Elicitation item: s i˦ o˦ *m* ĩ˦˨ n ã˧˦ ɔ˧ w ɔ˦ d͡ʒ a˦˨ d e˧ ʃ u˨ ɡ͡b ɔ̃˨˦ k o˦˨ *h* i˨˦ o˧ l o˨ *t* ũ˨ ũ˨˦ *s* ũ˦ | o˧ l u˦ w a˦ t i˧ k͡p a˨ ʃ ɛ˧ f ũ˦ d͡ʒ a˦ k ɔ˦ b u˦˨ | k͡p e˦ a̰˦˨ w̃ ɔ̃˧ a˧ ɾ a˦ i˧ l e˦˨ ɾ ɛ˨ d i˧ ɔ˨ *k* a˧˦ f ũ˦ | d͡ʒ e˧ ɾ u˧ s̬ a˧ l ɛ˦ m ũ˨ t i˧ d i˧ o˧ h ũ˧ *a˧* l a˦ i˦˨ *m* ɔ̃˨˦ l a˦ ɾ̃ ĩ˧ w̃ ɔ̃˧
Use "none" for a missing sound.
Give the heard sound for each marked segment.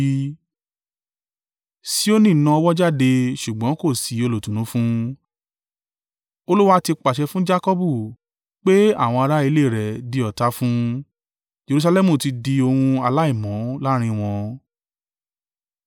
n, s, t, f, t, a˧, m

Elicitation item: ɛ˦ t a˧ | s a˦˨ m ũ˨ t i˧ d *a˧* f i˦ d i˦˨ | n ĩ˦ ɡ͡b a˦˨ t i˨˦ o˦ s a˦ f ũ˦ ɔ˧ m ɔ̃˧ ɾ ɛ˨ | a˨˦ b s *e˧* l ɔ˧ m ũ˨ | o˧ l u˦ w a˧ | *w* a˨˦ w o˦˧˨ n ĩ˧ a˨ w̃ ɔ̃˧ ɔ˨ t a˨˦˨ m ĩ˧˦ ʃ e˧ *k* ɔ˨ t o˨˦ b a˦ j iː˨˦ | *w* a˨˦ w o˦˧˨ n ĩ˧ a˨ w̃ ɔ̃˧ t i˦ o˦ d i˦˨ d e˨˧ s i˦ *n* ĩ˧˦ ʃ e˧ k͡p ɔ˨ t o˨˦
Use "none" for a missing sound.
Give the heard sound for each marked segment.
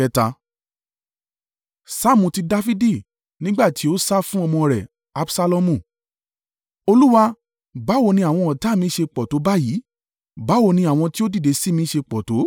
a˧, a˧, b, k͡p, b, m

